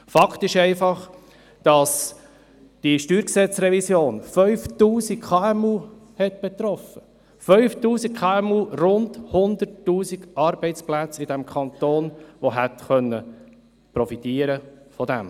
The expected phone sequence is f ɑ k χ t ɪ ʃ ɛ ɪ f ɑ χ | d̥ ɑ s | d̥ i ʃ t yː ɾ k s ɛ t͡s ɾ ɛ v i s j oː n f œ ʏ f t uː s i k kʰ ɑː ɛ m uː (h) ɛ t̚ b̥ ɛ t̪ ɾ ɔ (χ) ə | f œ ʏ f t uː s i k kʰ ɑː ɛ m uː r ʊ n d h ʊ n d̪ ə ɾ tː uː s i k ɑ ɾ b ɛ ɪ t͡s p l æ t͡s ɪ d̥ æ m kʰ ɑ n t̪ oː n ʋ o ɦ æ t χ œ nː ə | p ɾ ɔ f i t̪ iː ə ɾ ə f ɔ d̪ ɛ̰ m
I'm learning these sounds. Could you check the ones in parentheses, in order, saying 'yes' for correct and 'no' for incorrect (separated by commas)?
yes, no